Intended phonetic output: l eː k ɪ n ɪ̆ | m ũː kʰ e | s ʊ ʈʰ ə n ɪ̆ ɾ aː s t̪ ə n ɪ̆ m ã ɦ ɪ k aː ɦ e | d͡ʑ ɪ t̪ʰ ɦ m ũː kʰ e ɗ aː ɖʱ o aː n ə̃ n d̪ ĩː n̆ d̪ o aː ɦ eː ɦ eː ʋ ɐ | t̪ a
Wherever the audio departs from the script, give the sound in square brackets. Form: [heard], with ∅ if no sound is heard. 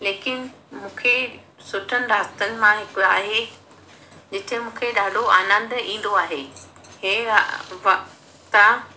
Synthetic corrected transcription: l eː k ɪ n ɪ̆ | m ũː kʰ e | s ʊ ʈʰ ə n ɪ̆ ɾ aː s t̪ ə n ɪ̆ m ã ɦ ɪ k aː ɦ e | d͡ʑ ɪ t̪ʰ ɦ m ũː kʰ e ɗ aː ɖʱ o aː n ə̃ n d̪ ĩː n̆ d̪ o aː ɦ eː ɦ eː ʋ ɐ | t̪ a